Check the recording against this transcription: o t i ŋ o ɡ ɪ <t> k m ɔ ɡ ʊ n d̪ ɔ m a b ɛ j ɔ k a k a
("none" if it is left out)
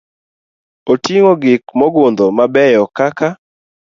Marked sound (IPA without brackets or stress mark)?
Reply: none